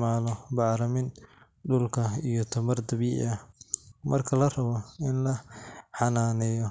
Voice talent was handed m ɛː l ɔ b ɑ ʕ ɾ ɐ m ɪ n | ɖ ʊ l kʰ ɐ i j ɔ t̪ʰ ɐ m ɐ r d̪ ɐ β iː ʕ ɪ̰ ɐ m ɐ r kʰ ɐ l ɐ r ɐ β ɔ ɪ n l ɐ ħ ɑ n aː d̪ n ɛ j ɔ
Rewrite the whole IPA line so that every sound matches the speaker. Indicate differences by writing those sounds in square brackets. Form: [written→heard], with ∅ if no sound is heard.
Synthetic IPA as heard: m [ɛː→aː] l ɔ b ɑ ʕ ɾ ɐ m ɪ n | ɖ ʊ l kʰ ɐ i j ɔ t̪ʰ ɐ m ɐ r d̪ ɐ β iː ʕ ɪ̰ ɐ m ɐ r kʰ ɐ l ɐ r ɐ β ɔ ɪ n l ɐ ħ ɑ n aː [d̪→∅] n ɛ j ɔ